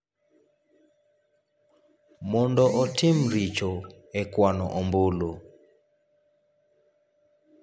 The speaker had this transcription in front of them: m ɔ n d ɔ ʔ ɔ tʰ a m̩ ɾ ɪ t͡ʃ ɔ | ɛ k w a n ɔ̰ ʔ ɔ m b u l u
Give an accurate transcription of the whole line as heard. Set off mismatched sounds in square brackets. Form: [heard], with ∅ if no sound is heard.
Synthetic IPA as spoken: m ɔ n d ɔ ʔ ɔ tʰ [i] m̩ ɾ [i] t͡ʃ ɔ | ɛ k w a n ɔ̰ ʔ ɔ m b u l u